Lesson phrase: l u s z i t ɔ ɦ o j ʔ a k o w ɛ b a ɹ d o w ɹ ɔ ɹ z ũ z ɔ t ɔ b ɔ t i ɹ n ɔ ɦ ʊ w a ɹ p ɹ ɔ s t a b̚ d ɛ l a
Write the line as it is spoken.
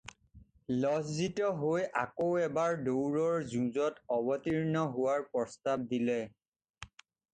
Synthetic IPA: l ɔ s z i t ɔ ɦ o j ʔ a k o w ɛ b a ɹ d o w ɹ ɔ ɹ z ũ z ɔ t ɔ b ɔ t i ɹ n ɔ ɦ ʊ w a ɹ p ɹ ɔ s t a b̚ d i l ɛ